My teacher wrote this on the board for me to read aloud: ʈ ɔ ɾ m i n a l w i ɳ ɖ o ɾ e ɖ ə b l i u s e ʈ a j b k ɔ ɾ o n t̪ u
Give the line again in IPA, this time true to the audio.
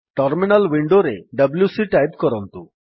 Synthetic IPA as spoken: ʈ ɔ ɾ m i n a l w i ɳ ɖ o ɾ e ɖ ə b l j u s i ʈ a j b k ɔ ɾ ɔ n t̪ u